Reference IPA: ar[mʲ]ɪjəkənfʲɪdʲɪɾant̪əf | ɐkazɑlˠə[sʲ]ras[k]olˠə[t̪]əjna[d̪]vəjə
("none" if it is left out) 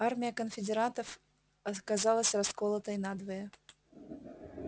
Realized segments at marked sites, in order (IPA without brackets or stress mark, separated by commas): mʲ, sʲ, k, t̪, d̪